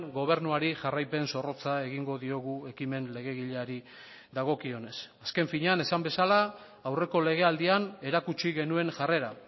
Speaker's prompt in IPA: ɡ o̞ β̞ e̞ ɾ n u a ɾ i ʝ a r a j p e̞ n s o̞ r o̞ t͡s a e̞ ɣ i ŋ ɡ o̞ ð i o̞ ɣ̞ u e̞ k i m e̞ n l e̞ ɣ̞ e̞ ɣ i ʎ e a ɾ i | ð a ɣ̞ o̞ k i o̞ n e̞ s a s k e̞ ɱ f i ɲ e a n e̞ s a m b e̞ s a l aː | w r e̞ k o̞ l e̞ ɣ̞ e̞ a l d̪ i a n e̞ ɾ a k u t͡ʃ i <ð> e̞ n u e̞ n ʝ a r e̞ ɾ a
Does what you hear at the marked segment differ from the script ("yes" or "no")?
yes